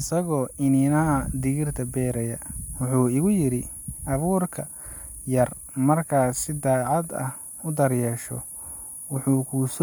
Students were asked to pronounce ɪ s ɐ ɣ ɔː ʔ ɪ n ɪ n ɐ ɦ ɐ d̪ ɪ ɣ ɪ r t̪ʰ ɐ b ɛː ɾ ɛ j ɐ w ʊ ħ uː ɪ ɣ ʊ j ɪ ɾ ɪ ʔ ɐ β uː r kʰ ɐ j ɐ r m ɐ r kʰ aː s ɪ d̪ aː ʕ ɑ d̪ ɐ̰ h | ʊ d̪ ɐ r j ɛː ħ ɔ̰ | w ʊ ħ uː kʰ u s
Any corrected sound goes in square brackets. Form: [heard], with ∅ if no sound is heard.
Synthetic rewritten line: ɪ s ɐ ɣ ɔː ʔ ɪ n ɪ n ɐ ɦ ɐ d̪ ɪ ɣ ɪ r t̪ʰ ɐ b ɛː ɾ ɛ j ɐ w ʊ ħ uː ɪ ɣ ʊ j ɪ ɾ ɪ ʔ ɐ β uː r kʰ ɐ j ɐ r m ɐ r kʰ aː s ɪ d̪ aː ʕ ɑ d̪ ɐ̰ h | ʊ d̪ ɐ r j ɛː [ʃ] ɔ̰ | w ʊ ħ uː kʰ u s

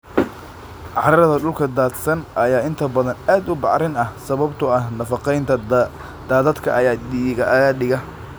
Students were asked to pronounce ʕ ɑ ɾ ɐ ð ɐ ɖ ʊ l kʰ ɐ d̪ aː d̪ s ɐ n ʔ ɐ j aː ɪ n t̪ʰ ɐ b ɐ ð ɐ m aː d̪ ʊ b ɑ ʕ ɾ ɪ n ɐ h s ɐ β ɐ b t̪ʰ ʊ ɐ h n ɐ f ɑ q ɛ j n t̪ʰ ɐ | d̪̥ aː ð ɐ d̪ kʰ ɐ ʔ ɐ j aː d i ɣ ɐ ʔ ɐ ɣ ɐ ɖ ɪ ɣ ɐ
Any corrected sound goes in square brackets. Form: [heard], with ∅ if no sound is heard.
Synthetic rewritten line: ʕ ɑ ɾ ɐ ð ɐ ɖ ʊ l kʰ ɐ d̪ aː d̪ s ɐ n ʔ ɐ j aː ɪ n t̪ʰ ɐ b ɐ ð ɐ [n] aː d̪ ʊ b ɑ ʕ ɾ ɪ n ɐ h s ɐ β ɐ b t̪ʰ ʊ ɐ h n ɐ f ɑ q ɛ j n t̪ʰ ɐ | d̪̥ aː ð ɐ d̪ kʰ ɐ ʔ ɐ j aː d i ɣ ɐ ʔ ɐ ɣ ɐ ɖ ɪ ɣ ɐ

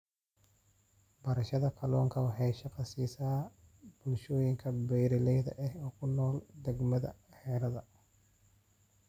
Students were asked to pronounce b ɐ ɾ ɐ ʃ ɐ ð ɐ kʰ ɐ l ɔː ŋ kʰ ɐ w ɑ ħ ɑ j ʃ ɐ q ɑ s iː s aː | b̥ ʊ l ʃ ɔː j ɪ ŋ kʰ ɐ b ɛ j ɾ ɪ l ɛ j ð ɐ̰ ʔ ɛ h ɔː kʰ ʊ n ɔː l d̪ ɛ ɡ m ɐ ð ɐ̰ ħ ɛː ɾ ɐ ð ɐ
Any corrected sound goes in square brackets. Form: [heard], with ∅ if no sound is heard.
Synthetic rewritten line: b ɐ ɾ ɐ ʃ ɐ ð ɐ kʰ ɐ l ɔː ŋ kʰ ɐ w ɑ ħ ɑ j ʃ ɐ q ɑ s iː s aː | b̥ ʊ l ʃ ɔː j ɪ ŋ kʰ ɐ b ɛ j ɾ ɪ l ɛ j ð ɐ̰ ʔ ɛ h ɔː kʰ ʊ n ɔː l d̪ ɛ ɡ m ɐ ð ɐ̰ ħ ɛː ɾ ɐ ð ɐ

